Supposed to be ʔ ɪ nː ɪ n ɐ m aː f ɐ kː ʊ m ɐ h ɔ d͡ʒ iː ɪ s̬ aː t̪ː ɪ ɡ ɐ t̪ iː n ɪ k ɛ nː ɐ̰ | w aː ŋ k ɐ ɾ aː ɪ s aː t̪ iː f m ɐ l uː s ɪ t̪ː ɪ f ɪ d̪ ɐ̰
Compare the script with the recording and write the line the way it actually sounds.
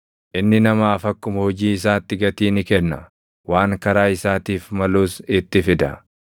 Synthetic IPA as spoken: ʔ ɪ nː ɪ n ɐ m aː f ɐ kː ʊ m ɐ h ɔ d͡ʒ iː ɪ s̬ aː t̪ː ɪ ɡ ɐ t̪ iː n ɪ k ɛ nː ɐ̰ | w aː ŋ k ɐ ɾ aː ɪ s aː t̪ iː f m ɐ l uː s ɪ t̪ː ɪ f ɪ d̪ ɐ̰